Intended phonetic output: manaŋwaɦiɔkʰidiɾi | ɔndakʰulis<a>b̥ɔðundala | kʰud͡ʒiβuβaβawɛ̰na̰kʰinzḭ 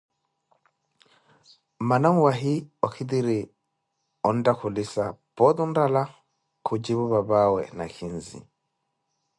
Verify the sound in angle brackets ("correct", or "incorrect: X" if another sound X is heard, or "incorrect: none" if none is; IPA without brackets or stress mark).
correct